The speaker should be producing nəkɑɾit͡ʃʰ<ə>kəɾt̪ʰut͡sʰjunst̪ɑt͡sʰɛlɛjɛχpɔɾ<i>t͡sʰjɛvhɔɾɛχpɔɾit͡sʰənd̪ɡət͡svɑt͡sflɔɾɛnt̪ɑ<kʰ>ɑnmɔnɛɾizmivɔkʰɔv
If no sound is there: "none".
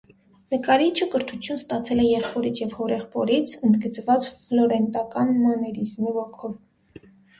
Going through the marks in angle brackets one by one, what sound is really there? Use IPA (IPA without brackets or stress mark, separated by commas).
ə, i, k